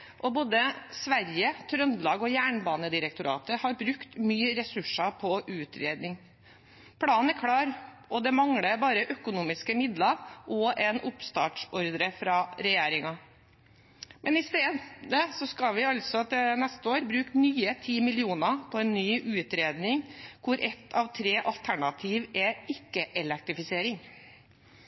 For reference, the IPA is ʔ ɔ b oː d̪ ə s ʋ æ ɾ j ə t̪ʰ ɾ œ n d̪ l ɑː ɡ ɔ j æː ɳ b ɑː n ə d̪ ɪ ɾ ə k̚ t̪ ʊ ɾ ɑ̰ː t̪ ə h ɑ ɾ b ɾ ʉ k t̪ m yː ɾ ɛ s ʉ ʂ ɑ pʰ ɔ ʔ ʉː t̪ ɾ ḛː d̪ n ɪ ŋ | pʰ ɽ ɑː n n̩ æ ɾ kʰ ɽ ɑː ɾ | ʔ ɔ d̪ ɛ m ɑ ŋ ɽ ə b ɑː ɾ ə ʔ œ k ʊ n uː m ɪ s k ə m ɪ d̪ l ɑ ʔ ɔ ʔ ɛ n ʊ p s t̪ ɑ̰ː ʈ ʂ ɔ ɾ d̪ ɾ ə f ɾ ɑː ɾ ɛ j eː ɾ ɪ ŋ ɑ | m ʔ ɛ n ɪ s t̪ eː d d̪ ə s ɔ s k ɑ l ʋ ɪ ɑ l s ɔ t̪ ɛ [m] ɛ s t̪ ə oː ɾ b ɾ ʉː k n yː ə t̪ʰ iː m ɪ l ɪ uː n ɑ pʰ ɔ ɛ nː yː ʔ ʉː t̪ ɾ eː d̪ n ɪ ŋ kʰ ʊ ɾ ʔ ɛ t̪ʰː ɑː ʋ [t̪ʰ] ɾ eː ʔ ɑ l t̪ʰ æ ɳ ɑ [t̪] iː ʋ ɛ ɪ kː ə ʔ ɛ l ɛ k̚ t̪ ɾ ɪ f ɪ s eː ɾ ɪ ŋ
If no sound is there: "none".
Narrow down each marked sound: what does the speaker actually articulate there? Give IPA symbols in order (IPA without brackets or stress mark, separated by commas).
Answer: n, t̪ʰ, t̪ʰ